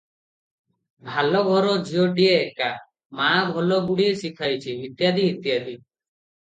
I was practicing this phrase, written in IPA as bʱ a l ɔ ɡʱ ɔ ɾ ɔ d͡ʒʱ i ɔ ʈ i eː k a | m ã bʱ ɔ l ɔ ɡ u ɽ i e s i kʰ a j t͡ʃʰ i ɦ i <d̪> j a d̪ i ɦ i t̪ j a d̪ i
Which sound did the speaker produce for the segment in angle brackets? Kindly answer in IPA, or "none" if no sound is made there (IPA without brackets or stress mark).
t̪